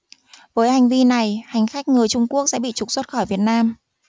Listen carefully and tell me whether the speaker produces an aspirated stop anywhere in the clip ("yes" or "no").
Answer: no